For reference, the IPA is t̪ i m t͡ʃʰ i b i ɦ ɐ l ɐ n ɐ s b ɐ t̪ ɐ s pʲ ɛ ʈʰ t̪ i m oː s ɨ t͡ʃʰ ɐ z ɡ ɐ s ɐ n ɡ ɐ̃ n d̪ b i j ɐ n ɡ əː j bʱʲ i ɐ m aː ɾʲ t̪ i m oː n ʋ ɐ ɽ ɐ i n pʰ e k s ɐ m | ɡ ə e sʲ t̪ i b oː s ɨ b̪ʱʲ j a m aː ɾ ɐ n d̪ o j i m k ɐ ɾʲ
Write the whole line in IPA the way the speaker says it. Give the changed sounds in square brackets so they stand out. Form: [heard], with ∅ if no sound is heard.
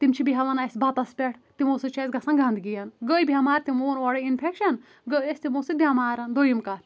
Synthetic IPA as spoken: t̪ i m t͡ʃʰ i b i ɦ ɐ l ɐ n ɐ s b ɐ t̪ ɐ s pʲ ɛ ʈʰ t̪ i m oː s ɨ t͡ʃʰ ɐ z ɡ ɐ s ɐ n ɡ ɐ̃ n d̪ [ɡ] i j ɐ n ɡ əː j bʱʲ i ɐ m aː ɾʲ t̪ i m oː n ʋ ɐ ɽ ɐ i n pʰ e k [ʃ] ɐ [n] | ɡ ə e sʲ t̪ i [m] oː s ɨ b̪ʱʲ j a m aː ɾ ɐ n d̪ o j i m k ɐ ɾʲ